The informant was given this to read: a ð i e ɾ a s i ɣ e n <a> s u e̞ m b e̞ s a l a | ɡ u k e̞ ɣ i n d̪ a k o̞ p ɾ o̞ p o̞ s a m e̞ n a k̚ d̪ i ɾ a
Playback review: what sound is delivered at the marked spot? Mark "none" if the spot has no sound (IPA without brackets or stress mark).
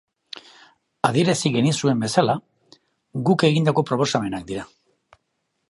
i